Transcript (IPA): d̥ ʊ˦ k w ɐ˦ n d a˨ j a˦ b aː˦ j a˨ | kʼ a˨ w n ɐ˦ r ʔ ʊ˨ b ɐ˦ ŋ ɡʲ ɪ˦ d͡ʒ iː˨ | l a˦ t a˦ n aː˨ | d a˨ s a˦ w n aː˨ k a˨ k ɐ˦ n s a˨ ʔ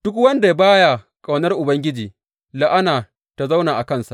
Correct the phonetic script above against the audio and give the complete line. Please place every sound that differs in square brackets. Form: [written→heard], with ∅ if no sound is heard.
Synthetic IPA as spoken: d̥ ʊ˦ k w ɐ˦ n d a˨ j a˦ b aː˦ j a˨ | kʼ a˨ w n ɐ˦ r ʔ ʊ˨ b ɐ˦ ŋ ɡʲ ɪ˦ d͡ʒ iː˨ | l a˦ [t→ʔ] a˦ n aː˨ | [d→t] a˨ [s→z] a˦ w n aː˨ [k→ʔ] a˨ k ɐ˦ n s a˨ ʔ